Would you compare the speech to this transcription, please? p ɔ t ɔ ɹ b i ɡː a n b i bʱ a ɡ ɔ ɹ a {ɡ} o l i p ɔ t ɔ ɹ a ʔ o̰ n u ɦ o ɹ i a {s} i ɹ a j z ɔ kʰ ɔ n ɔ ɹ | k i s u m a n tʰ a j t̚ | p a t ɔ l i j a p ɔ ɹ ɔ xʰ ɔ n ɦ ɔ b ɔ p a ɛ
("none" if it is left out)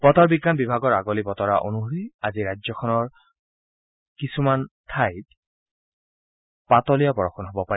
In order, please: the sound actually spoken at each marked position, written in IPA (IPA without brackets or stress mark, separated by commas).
ɡ, z